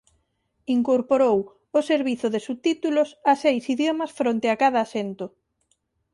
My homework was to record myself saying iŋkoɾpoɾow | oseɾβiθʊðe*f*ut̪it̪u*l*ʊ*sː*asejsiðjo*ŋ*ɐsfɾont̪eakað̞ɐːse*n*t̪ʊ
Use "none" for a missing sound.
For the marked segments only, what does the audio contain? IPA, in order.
s, l, s, m, n

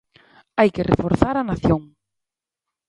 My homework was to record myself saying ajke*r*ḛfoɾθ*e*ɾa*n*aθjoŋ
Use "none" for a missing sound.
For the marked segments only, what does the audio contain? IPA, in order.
r, a, n

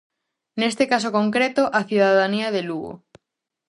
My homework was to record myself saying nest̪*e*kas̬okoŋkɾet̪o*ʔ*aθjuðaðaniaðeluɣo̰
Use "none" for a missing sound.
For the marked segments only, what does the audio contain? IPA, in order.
e, ʔ

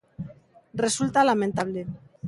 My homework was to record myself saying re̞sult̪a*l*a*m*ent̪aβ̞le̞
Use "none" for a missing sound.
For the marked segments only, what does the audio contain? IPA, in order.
l, m

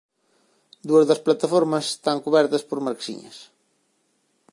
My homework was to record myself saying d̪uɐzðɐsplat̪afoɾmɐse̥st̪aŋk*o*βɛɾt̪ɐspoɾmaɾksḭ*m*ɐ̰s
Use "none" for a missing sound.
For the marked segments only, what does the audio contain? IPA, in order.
u, ɲ

